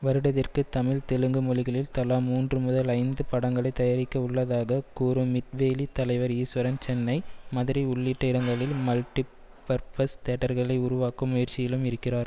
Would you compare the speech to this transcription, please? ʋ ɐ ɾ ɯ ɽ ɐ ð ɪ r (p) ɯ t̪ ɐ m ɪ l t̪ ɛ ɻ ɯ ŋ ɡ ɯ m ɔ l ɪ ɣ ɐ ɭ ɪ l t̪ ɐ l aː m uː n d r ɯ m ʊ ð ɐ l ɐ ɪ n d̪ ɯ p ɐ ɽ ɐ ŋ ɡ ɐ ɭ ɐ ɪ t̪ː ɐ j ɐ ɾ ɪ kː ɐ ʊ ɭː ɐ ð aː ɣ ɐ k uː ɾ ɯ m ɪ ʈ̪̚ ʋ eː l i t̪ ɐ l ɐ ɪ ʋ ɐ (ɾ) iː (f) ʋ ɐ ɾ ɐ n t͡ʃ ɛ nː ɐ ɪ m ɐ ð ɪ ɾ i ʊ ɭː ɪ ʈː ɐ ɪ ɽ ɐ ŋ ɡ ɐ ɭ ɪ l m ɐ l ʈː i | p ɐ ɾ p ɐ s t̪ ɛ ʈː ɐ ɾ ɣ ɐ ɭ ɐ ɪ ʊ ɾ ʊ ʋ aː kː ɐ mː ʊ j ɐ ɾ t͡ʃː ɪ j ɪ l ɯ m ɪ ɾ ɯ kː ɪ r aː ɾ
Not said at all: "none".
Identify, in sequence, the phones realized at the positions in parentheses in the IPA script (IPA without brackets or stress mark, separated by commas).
k, ɾ, s